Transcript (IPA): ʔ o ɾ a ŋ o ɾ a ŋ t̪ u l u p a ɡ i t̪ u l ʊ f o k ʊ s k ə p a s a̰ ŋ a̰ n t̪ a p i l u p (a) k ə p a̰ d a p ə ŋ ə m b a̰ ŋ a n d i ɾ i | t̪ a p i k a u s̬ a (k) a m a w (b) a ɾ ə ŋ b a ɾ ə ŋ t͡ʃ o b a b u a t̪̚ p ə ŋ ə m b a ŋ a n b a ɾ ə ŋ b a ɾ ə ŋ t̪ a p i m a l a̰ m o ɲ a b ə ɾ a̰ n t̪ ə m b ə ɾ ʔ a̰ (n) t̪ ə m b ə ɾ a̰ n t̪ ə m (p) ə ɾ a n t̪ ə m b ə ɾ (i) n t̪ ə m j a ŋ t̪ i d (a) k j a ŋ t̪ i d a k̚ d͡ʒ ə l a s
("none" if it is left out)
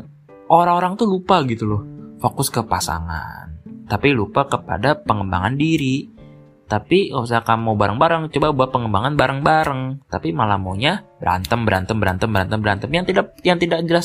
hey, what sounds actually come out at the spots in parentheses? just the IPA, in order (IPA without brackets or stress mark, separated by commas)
a, k, b, n, b, a, a